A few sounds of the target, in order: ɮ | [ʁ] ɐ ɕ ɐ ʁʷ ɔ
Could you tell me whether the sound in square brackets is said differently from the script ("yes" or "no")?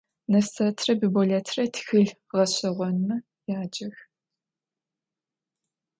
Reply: no